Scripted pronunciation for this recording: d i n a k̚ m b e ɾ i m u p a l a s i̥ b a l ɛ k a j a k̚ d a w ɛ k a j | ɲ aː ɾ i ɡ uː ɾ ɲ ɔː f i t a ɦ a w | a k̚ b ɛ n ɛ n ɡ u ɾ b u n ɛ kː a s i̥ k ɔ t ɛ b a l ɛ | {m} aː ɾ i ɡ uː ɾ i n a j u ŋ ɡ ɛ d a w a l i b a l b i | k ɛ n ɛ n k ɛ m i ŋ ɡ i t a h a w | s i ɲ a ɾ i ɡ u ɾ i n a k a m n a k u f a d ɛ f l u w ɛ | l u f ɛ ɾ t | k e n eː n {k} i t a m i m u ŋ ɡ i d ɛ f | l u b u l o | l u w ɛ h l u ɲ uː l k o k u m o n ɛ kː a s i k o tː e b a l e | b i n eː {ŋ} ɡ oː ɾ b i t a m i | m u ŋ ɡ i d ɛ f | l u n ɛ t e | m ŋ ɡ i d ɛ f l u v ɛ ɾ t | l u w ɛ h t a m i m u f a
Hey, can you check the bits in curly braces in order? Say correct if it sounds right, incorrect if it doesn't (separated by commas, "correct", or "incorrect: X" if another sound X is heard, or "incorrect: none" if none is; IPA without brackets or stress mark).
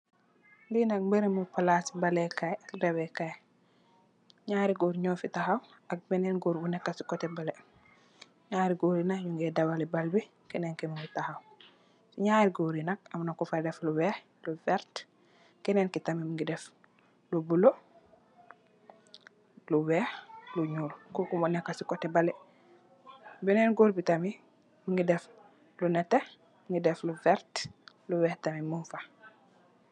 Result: incorrect: ɲ, correct, incorrect: n